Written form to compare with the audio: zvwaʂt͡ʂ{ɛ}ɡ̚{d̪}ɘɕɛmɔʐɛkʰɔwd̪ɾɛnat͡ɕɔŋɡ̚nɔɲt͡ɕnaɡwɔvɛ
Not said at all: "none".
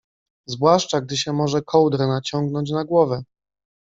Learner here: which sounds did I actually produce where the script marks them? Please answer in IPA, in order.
a, d̪

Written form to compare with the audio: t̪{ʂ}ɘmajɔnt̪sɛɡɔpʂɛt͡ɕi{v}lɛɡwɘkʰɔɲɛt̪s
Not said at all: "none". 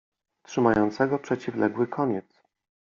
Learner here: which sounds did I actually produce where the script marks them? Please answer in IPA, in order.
ʂ, v

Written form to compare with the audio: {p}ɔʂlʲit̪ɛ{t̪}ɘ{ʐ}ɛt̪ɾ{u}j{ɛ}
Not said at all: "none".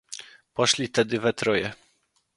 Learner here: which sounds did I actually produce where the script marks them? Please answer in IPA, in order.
p, d̪, v, ɔ, ɛ

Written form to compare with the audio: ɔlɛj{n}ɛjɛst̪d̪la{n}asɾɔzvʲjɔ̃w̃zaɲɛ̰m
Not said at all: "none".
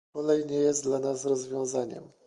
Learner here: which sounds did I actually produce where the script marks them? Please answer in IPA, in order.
ɲ, n

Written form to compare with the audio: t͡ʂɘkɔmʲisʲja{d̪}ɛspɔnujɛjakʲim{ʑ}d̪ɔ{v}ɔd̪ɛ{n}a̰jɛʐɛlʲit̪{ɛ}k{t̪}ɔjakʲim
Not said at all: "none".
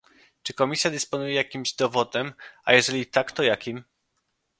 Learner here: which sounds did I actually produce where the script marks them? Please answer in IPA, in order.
d̪, ʑ, v, m, a, t̪

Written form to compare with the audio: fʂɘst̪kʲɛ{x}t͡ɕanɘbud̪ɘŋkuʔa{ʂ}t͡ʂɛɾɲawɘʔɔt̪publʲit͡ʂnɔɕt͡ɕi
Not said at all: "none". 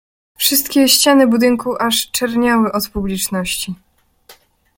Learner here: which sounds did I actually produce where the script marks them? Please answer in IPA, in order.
ɕ, ʂ

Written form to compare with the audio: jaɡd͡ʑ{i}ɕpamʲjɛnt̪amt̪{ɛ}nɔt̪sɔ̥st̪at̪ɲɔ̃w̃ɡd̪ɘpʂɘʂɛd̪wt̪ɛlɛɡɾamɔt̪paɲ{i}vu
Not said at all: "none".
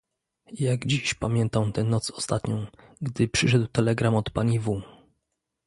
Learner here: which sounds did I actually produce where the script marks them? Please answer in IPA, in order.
i, ɛ, i

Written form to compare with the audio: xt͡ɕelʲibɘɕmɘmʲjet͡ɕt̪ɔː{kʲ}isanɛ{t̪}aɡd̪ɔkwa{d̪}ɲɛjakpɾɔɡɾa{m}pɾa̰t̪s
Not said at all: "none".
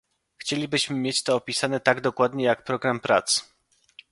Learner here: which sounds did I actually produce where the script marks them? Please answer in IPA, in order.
pʲ, t̪, d̪, m

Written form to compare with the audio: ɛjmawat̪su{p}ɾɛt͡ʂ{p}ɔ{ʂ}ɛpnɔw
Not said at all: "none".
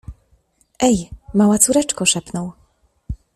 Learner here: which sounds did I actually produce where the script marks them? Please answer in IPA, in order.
none, k, ʂ

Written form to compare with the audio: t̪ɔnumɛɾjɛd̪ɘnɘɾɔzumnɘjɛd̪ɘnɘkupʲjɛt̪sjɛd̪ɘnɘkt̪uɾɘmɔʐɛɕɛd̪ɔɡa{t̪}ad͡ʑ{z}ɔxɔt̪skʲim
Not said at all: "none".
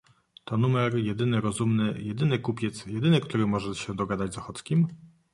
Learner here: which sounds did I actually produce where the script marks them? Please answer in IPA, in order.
d̪, z

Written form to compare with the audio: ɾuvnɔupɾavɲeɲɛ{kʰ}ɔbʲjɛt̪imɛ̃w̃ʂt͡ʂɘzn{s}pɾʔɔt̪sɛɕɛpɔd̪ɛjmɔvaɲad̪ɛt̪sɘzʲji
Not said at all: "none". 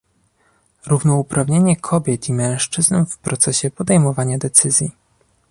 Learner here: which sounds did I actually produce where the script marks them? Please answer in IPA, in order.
kʰ, f

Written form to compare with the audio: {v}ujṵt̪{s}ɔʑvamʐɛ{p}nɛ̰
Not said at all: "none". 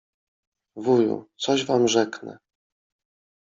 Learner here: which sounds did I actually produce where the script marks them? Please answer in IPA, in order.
v, s, k

